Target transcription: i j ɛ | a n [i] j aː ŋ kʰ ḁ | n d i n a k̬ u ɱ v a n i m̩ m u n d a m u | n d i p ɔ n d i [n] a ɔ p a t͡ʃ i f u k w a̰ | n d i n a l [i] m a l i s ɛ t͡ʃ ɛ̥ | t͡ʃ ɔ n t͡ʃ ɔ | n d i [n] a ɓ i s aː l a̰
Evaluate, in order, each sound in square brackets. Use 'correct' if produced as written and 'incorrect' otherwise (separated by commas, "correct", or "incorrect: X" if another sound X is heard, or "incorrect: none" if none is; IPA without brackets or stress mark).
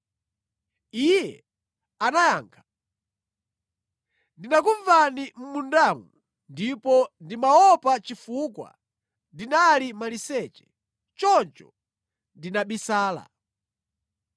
incorrect: a, incorrect: m, correct, correct